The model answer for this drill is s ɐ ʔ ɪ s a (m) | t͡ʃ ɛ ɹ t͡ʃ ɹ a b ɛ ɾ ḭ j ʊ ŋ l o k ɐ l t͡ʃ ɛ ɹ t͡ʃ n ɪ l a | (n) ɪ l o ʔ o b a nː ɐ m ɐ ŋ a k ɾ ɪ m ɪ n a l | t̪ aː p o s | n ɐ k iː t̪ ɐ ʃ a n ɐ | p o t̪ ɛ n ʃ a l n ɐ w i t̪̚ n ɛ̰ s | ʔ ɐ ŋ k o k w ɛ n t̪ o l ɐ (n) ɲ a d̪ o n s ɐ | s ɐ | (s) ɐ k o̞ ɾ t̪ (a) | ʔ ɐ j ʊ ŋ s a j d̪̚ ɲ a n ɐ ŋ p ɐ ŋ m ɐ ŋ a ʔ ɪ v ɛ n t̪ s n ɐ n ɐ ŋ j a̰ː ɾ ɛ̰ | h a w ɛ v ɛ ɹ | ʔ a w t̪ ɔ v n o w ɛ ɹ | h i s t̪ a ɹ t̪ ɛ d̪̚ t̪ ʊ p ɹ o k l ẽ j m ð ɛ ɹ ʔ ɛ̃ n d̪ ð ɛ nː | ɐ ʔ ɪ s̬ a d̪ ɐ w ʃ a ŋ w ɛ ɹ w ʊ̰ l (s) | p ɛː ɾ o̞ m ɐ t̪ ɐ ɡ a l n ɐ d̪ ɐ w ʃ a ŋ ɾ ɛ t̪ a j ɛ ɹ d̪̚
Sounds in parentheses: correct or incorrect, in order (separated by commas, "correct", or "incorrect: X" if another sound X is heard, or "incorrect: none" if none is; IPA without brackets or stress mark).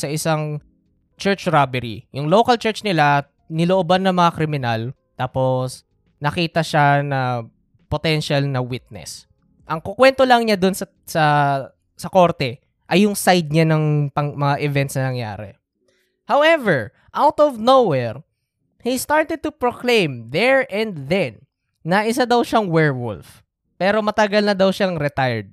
incorrect: ŋ, correct, incorrect: ŋ, correct, incorrect: ɛ, incorrect: f